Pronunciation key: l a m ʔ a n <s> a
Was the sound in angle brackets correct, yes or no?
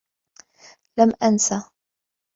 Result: yes